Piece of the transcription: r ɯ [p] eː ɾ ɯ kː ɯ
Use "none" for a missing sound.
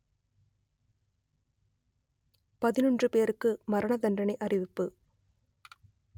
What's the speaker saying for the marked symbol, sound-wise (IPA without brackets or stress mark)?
p